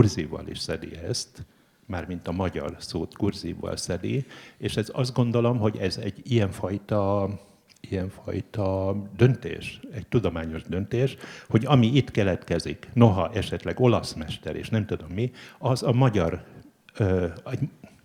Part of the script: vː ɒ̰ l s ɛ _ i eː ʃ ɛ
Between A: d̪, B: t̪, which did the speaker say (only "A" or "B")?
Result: A